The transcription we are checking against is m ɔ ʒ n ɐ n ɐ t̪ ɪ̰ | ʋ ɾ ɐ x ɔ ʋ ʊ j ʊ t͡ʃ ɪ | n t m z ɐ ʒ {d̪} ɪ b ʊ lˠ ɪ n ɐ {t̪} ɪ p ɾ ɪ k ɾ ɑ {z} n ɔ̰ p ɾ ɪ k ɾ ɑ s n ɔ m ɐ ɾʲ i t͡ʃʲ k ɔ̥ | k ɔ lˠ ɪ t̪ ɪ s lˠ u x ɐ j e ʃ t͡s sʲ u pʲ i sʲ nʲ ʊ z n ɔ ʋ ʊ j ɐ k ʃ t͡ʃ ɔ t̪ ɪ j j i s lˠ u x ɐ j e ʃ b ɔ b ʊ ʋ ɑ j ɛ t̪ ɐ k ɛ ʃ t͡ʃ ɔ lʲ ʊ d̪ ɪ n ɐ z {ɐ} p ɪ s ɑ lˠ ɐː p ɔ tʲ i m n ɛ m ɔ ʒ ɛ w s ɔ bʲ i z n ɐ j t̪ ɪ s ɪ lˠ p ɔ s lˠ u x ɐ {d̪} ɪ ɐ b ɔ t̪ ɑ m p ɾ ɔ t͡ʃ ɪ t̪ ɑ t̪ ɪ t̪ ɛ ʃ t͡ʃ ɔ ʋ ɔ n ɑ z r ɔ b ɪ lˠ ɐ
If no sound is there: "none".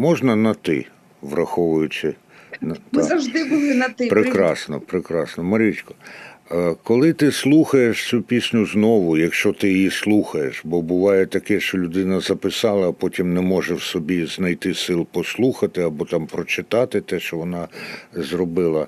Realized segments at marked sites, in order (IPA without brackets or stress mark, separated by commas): d̪, t̪, s, ɐ, t̪